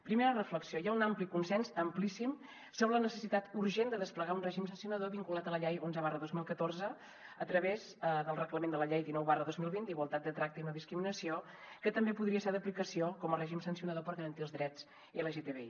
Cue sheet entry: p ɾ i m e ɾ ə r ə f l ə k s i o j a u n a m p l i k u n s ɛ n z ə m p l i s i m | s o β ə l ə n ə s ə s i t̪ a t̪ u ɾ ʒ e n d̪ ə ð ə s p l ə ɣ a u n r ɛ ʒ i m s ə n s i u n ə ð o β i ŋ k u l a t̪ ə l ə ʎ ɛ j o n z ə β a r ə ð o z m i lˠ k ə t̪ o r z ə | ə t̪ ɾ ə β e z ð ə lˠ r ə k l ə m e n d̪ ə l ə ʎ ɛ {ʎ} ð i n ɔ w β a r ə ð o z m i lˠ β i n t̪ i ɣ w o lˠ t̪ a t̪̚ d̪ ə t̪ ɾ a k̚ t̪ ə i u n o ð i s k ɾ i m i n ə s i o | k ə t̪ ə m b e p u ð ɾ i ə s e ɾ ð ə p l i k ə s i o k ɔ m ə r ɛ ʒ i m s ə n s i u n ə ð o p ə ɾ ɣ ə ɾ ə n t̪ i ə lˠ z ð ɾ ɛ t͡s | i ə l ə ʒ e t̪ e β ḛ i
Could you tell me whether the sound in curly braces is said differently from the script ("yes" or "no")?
yes